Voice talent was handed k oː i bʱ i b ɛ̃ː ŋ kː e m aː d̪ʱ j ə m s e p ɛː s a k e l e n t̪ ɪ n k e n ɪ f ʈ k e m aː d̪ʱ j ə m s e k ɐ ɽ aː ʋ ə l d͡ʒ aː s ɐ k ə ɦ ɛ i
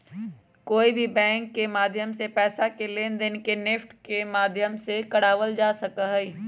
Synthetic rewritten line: k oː i bʱ i b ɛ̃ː ŋ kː e m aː d̪ʱ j ə m s e p ɛː s a k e l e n d̪ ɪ n k e n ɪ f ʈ k e m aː d̪ʱ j ə m s e k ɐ ɽ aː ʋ ə l d͡ʒ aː s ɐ k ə ɦ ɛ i